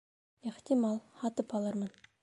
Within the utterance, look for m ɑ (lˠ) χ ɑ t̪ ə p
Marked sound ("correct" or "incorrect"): correct